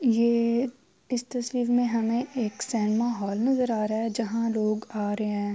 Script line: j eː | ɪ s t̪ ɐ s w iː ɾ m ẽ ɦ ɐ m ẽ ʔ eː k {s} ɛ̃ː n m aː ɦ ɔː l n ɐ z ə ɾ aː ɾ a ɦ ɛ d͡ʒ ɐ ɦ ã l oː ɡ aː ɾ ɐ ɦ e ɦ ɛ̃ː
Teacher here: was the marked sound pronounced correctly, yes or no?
yes